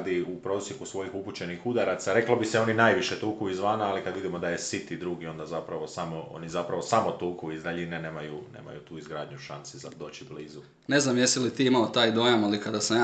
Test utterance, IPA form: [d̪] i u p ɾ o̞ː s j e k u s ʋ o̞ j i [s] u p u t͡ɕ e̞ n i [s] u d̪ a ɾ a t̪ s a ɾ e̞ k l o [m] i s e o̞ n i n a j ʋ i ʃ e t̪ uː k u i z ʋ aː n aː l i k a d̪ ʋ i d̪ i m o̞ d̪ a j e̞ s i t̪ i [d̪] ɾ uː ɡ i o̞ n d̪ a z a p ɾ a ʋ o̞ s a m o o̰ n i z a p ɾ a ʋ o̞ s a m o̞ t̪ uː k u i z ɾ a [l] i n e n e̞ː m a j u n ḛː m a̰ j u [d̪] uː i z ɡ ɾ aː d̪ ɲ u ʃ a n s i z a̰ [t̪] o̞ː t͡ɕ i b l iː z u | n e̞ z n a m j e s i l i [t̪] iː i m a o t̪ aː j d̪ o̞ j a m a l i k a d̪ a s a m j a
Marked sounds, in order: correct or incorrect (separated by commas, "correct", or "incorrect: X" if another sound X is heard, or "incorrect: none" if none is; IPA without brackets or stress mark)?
correct, incorrect: x, incorrect: x, incorrect: b, correct, incorrect: ʎ, incorrect: t̪, incorrect: d̪, correct